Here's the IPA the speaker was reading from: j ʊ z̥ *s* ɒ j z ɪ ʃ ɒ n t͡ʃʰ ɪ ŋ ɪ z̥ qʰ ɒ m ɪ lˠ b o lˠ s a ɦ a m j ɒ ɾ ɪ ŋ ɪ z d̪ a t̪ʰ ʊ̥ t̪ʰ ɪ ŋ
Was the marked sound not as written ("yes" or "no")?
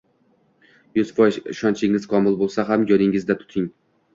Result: yes